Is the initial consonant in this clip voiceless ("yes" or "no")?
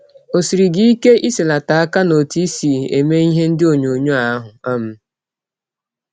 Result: yes